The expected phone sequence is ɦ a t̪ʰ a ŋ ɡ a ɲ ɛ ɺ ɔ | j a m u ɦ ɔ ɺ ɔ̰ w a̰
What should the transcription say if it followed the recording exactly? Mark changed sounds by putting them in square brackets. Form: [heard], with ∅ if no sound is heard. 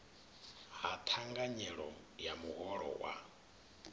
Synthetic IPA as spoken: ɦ a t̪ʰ a ŋ ɡ a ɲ ɛ ɺ ɔ | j a m u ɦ ɔ ɺ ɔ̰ w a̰

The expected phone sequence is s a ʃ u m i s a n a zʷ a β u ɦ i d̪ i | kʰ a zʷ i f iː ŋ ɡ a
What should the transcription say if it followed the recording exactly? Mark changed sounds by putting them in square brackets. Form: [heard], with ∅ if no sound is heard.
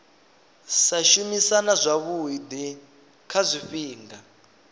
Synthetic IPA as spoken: s a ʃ u m i s a n a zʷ a β u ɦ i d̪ i | kʰ a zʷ i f iː ŋ ɡ a

